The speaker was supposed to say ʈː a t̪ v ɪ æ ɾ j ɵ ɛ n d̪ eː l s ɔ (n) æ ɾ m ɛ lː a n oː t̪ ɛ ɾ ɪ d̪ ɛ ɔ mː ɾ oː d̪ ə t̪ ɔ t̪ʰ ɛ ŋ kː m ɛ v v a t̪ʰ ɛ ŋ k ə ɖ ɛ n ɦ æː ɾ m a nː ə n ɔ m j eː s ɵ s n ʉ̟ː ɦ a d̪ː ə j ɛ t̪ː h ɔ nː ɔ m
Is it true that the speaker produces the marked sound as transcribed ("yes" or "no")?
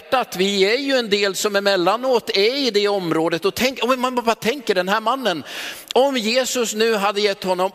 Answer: no